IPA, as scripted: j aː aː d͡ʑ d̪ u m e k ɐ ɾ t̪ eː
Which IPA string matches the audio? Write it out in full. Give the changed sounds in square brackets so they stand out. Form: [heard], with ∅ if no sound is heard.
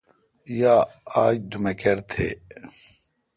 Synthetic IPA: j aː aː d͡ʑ d̪ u m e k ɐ ɾ [t̪ʰ] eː